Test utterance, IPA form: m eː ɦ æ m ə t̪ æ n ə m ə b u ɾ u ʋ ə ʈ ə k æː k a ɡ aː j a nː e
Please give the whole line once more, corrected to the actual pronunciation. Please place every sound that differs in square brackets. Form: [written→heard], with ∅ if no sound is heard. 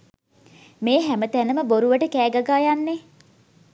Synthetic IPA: m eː ɦ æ m ə t̪ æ n ə m ə b [u→o] ɾ u ʋ ə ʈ ə k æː [k→ɡ] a ɡ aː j a nː e